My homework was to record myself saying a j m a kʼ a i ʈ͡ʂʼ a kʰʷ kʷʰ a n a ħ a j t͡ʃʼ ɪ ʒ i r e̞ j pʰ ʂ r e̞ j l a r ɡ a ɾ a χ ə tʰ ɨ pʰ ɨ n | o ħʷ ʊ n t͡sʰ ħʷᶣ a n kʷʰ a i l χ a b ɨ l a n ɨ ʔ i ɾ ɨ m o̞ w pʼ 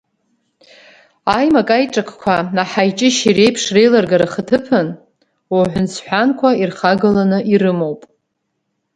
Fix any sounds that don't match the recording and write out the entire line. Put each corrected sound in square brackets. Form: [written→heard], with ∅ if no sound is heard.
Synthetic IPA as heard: a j m a kʼ a [i→j] ʈ͡ʂʼ a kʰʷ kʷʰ a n a ħ a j t͡ʃʼ ɪ [ʒ→ʃ] i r e̞ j pʰ ʂ r e̞ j l a r ɡ a ɾ a χ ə tʰ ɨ pʰ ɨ n | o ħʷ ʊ n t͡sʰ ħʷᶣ a n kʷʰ a i [l→r] χ a [b→ɡ] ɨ l a n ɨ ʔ i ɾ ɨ m o̞ w pʼ